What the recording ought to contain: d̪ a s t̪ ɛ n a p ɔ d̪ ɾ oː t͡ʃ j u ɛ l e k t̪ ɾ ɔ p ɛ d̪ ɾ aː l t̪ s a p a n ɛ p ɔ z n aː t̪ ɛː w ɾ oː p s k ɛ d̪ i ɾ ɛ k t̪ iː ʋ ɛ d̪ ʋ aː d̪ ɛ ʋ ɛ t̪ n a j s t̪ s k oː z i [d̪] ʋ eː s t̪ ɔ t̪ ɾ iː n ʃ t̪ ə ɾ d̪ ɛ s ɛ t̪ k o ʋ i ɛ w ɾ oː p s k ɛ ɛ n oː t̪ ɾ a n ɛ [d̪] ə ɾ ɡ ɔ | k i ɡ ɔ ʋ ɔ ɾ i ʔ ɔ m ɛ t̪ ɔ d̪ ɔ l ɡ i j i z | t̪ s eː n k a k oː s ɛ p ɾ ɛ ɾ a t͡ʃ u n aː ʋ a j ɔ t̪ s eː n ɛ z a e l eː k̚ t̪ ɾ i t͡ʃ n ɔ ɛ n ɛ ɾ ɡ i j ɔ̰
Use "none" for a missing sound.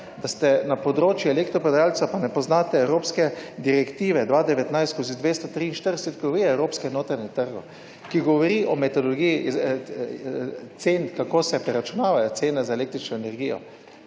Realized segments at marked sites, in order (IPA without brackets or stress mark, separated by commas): d̪, t̪